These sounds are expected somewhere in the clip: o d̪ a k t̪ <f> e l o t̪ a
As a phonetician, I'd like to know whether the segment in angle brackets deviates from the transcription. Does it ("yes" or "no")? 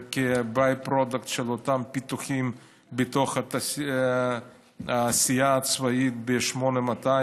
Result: yes